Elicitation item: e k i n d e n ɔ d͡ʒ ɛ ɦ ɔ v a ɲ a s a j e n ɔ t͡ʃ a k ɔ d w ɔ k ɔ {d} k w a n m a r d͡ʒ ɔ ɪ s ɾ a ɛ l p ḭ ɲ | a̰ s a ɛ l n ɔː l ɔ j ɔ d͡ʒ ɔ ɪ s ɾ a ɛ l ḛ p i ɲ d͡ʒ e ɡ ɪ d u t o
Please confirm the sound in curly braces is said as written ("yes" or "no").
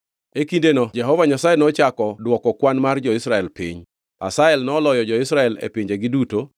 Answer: no